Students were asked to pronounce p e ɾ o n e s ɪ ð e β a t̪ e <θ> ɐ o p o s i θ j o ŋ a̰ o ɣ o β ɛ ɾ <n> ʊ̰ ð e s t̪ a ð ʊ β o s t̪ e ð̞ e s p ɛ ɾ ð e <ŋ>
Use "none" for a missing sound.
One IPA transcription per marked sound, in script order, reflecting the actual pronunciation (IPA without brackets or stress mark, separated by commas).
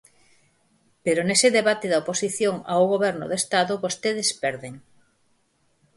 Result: ð, n, ŋ